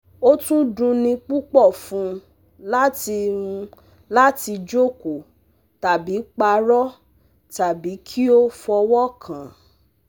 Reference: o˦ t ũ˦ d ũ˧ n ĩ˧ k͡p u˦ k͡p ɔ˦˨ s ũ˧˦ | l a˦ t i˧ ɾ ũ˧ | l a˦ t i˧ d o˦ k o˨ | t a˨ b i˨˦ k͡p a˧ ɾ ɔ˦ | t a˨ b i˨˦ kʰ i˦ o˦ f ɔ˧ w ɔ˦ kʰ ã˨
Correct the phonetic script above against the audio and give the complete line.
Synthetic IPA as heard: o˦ t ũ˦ d ũ˧ n ĩ˧ k͡p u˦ k͡p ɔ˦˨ f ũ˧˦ | l a˦ t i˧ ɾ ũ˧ | l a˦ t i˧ d͡ʒ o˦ k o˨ | t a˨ b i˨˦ k͡p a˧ ɾ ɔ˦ | t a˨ b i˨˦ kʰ i˦ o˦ f ɔ˧ w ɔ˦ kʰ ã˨